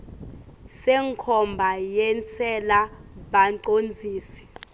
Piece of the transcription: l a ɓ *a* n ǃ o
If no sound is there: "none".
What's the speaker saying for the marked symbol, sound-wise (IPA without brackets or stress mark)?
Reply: a